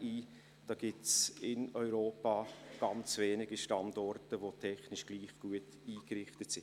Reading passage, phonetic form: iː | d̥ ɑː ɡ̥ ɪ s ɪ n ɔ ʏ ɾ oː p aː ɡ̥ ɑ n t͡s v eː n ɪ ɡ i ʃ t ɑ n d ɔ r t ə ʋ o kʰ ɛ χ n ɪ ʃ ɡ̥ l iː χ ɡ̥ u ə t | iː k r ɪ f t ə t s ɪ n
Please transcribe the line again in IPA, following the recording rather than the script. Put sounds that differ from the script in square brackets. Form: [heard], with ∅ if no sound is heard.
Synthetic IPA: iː | d̥ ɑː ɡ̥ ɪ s ɪ n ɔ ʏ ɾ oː p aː ɡ̥ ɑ n t͡s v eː n ɪ ɡ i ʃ t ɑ n d ɔ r t ə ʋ o [tʰ] ɛ χ n ɪ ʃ ɡ̥ l iː χ ɡ̥ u ə t | iː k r ɪ [χ] t ə t s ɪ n